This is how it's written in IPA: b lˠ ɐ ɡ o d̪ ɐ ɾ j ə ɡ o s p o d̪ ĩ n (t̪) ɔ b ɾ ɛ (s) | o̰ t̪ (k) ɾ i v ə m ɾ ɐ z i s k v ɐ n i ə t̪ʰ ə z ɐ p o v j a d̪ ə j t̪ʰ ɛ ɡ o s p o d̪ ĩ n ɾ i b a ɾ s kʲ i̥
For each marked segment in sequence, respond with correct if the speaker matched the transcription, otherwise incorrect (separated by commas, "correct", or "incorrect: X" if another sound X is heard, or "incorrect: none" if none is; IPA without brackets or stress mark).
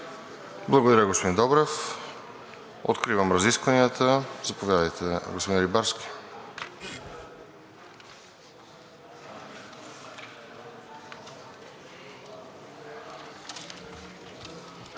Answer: incorrect: d̪, incorrect: f, correct